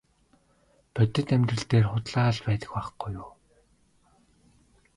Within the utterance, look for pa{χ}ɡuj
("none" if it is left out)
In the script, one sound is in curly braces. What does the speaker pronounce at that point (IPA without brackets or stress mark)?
χ